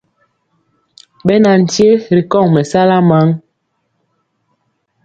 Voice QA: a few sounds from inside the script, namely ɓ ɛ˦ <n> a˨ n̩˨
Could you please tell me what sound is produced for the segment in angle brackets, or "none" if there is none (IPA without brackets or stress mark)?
n